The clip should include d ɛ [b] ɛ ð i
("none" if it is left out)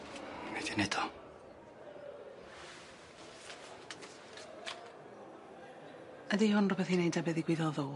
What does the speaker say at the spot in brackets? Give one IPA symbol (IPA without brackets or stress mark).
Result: b